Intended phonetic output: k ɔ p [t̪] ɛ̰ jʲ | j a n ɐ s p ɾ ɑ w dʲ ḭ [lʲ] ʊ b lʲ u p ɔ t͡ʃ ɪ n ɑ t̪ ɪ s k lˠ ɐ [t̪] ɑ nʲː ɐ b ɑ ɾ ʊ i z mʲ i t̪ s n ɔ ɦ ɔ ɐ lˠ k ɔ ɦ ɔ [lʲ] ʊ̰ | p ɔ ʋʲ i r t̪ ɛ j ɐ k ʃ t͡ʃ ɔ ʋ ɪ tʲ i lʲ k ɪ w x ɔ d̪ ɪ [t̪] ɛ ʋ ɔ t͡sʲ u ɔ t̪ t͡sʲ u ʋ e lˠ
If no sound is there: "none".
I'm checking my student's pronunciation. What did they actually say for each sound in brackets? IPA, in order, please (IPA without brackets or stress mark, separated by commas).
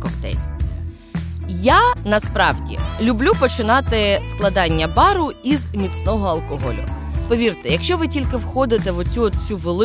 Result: t̪, lʲ, d̪, lʲ, t̪